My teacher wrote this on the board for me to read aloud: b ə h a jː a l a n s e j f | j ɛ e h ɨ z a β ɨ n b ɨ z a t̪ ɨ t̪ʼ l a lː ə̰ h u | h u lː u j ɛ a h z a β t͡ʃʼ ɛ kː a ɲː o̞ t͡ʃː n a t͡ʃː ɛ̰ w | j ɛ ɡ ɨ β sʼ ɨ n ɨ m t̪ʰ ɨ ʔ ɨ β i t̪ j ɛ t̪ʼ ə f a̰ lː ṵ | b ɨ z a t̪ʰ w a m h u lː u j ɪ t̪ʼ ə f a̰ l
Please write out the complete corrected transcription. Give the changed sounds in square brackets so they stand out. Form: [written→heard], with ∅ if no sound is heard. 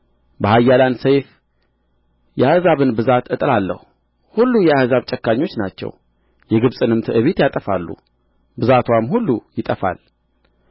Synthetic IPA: b ə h a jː a l a n s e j f | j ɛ [e→a] h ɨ z a β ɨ n b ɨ z a t̪ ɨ t̪ʼ l a lː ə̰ h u | h u lː u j ɛ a h z a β t͡ʃʼ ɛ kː a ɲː o̞ t͡ʃː n a t͡ʃː ɛ̰ w | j ɛ ɡ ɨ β sʼ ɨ n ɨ m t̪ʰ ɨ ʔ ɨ β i t̪ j [ɛ→a] t̪ʼ ə f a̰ lː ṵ | b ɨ z a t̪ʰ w a m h u lː u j ɪ t̪ʼ ə f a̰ l